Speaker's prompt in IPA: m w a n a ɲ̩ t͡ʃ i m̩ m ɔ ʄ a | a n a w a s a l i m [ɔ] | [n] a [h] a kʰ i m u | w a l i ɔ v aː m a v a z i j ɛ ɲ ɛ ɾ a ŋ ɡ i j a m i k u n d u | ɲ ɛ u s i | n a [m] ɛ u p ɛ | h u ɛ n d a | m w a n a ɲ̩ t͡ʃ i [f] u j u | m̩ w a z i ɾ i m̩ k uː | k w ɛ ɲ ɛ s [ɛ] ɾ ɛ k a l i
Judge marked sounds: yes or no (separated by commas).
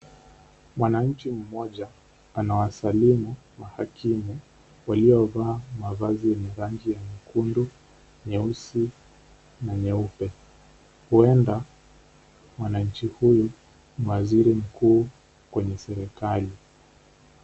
no, no, yes, no, no, yes